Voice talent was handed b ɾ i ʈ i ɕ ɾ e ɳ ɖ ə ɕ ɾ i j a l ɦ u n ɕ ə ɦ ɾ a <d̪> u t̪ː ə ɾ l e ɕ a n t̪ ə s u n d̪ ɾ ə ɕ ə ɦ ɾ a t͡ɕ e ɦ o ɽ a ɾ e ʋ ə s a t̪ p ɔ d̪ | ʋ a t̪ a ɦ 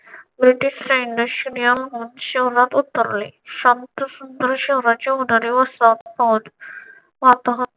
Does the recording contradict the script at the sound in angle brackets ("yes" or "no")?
yes